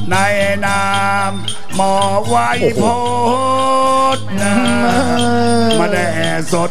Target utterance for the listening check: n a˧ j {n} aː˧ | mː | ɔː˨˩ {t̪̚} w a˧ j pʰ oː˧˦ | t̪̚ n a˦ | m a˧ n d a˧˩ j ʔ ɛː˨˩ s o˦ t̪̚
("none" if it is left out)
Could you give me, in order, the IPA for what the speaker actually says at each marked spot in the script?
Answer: n, none

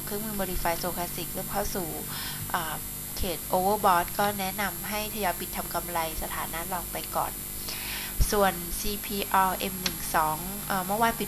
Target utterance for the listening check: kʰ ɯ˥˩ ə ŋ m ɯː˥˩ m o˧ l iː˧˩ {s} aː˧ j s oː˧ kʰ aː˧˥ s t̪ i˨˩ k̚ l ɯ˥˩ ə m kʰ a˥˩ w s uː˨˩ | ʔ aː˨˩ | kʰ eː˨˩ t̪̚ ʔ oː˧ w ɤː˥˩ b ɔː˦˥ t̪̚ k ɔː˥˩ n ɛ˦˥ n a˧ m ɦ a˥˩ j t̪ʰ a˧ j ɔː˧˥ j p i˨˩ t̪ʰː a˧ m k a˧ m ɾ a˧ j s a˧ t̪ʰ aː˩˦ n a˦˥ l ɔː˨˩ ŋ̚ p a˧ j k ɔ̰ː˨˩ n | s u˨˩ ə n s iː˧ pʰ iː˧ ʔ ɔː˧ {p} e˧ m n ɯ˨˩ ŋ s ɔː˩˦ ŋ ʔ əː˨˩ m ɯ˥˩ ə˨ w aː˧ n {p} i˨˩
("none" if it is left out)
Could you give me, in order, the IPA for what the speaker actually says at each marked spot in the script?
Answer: f, ʔ, p

